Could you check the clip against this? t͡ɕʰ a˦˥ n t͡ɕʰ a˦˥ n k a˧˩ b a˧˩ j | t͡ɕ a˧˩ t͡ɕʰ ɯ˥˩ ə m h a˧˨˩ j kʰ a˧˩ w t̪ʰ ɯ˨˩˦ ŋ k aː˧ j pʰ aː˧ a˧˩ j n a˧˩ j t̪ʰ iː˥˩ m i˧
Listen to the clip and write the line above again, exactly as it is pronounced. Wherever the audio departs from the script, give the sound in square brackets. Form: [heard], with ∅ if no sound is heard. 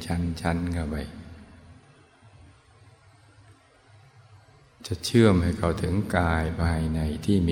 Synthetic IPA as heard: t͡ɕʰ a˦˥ n t͡ɕʰ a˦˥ n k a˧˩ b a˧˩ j | t͡ɕ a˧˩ t͡ɕʰ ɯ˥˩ ə m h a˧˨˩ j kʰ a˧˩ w t̪ʰ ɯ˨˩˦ ŋ k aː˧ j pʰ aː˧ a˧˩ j n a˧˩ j t̪ʰ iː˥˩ m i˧